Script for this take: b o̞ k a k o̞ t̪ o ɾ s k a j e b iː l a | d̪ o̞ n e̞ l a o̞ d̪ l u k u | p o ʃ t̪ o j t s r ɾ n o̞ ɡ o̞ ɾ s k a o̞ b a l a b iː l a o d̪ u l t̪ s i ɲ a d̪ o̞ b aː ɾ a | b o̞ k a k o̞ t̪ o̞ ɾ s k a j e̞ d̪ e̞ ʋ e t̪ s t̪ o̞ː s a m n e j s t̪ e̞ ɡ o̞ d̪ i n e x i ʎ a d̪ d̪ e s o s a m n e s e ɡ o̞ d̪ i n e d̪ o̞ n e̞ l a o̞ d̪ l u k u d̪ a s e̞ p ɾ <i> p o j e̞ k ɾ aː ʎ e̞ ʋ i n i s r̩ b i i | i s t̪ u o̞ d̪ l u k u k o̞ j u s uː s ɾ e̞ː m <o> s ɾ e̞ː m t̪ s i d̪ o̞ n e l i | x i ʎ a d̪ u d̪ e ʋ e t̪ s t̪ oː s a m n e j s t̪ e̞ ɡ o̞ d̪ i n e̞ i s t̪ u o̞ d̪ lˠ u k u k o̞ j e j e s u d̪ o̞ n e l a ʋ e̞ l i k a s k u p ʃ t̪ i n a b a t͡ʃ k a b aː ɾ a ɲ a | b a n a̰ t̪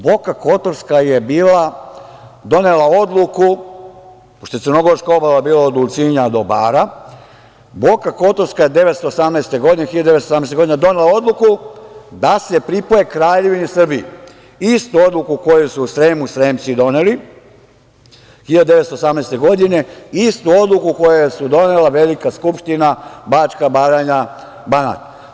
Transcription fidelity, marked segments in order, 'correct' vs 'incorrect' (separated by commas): correct, incorrect